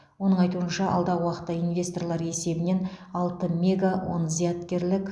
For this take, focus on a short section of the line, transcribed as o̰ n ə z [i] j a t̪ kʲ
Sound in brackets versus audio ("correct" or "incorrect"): correct